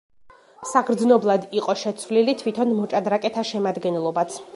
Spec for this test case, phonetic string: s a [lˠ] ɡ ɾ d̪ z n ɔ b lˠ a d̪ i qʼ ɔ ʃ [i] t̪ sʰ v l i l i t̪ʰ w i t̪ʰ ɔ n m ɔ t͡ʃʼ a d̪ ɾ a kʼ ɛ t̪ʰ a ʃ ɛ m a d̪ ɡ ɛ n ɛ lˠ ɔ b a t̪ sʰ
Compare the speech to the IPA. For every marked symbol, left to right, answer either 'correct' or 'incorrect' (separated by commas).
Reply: incorrect, incorrect